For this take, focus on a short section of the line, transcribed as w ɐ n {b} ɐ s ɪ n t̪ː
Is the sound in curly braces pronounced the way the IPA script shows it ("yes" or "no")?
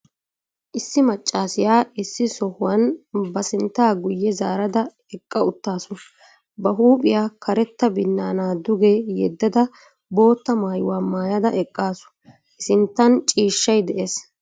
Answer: yes